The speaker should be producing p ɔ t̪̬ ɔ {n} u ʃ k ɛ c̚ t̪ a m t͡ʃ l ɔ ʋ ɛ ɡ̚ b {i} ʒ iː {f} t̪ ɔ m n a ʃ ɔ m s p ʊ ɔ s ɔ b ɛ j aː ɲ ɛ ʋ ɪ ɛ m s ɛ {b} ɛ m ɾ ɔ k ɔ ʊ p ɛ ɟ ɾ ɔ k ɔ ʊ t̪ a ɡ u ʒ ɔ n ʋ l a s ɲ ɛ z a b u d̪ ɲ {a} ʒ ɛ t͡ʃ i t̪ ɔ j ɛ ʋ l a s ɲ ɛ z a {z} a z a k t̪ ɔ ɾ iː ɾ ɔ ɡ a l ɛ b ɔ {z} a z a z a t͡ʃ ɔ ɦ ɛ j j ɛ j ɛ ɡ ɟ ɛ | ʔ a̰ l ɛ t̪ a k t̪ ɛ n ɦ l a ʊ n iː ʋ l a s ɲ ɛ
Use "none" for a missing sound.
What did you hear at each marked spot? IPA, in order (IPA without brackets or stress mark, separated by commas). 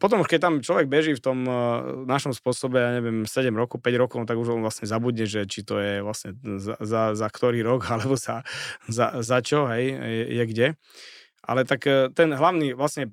m, ɛ, f, ɟ, ɛ, z, z